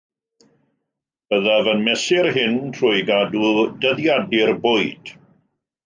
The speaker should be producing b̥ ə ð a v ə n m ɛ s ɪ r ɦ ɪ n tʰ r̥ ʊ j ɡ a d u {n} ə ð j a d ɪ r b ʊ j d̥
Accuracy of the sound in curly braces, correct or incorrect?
incorrect